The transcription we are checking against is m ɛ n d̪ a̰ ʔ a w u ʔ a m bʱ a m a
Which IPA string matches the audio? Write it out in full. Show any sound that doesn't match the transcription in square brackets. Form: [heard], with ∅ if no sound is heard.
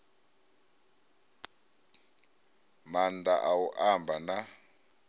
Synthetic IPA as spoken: m [a] n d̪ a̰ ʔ a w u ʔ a m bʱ a [n] a